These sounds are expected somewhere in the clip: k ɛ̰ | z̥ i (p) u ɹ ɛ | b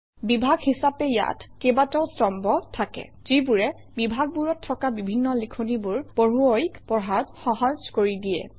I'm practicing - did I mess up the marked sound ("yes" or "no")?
yes